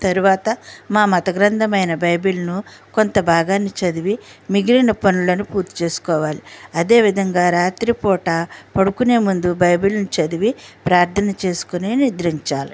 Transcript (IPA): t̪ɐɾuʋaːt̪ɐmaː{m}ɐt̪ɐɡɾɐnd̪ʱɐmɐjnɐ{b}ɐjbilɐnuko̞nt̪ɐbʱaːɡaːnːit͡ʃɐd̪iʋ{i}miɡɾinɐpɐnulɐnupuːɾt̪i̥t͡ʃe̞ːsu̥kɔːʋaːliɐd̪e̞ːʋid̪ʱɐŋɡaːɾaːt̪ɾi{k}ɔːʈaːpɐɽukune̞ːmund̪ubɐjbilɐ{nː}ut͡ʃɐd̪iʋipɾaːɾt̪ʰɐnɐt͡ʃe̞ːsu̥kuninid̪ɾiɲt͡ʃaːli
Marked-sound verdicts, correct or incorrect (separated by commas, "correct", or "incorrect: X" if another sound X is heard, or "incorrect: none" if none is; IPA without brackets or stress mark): correct, correct, correct, incorrect: p, incorrect: n